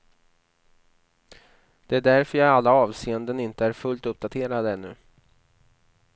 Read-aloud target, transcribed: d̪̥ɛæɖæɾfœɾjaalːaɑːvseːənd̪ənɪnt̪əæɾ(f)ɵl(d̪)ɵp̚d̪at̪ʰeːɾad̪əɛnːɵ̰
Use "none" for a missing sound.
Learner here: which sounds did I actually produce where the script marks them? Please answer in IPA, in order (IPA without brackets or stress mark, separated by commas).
f, t̪